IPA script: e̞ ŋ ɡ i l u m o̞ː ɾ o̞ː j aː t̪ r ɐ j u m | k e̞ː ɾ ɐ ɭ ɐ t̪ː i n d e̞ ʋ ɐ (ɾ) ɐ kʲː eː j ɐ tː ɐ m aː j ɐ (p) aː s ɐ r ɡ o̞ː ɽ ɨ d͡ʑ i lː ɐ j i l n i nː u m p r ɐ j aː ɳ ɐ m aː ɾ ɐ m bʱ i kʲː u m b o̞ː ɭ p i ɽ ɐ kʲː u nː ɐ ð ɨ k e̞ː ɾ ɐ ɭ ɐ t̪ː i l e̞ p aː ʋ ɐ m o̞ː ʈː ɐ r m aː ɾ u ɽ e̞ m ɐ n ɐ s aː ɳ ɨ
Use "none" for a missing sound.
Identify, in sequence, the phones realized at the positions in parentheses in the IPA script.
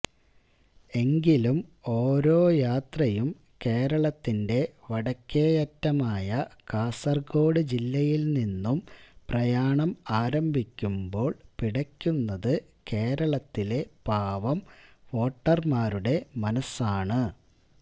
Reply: ɽ, k

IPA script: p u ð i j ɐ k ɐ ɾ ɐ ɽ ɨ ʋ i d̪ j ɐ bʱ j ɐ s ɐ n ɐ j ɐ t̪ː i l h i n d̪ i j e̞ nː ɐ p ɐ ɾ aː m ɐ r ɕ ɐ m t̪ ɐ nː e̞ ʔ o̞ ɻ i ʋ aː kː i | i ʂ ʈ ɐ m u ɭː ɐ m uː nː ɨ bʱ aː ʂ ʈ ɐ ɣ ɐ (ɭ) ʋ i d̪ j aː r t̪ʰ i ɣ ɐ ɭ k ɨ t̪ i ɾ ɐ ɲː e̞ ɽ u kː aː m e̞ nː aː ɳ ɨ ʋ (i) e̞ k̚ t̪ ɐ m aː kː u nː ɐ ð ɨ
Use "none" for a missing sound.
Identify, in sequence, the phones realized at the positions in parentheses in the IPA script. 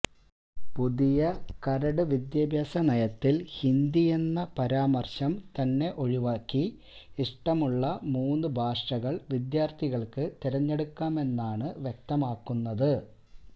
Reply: ɭ, j

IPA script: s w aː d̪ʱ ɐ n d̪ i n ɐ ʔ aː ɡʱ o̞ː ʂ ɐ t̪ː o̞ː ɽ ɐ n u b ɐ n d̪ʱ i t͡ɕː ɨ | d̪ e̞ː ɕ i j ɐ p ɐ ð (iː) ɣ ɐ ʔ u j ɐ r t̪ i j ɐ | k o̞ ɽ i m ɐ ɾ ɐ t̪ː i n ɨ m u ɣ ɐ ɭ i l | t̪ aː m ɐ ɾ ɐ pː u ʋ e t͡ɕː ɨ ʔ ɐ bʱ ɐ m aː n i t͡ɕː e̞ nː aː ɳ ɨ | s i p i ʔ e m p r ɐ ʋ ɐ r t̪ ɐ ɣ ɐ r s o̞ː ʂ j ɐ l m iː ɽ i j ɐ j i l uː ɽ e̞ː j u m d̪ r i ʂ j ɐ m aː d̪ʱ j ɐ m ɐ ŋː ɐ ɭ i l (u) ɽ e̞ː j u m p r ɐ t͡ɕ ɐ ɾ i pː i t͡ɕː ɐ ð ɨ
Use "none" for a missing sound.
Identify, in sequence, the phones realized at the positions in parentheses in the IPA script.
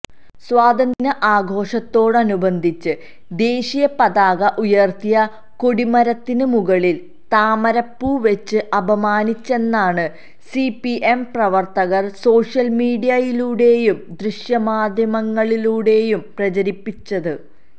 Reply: aː, uː

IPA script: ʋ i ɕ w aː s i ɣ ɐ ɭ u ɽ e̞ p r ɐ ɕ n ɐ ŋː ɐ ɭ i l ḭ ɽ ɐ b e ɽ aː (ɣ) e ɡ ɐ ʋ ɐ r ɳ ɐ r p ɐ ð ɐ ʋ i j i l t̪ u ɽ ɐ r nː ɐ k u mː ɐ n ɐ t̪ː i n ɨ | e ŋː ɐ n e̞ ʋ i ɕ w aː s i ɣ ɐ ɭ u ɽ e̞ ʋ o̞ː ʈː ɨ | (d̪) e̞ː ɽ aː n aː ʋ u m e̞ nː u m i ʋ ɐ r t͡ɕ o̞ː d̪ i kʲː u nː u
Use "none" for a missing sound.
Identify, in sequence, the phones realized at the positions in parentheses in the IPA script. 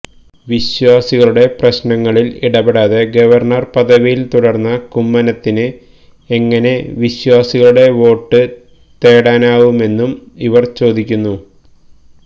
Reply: ð, t̪

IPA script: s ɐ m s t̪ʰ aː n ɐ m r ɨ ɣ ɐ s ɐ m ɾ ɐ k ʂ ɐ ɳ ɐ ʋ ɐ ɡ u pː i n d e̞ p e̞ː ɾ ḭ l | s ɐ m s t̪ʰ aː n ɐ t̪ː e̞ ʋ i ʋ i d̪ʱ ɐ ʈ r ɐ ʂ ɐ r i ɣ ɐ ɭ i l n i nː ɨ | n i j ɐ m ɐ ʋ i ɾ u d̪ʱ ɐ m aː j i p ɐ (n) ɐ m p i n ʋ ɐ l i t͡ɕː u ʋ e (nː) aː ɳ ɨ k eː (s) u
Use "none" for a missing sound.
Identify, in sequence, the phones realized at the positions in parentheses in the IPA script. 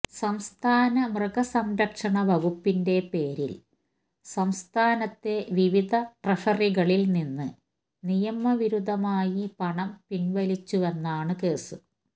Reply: ɳ, nː, s

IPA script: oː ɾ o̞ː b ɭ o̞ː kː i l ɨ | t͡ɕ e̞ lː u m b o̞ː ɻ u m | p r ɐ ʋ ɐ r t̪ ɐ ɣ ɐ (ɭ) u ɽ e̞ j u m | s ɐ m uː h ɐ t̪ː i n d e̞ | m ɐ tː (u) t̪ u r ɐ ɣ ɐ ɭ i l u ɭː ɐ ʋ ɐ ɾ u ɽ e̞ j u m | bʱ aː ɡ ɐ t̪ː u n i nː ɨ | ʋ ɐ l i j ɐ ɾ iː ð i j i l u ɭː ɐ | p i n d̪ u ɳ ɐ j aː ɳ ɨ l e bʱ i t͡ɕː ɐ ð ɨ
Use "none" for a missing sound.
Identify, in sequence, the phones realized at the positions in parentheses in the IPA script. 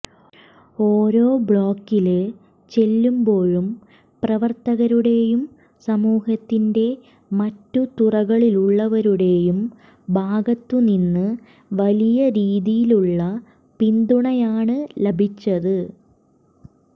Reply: ɾ, u

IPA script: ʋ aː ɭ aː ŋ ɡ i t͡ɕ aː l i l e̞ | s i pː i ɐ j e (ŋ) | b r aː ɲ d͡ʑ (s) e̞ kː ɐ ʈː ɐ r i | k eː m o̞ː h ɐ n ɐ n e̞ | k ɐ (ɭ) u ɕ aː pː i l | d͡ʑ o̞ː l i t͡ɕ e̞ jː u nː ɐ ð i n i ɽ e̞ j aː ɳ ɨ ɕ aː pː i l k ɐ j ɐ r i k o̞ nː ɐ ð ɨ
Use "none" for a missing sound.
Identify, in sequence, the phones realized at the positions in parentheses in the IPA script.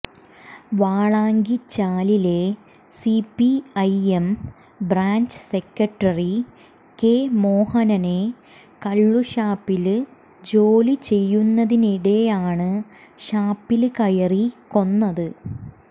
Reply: m, s, ɭː

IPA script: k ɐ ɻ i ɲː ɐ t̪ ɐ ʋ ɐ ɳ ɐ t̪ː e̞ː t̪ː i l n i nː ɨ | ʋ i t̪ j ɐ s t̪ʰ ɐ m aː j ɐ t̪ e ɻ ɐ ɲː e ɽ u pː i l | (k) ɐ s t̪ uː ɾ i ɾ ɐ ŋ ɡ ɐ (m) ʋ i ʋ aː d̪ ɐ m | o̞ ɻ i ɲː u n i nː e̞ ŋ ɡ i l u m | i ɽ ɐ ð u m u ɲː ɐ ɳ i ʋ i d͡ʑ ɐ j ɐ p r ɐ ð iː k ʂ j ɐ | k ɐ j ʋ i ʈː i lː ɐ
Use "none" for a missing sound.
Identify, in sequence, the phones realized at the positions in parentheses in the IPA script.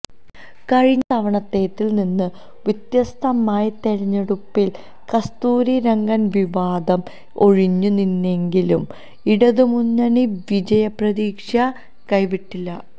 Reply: k, n

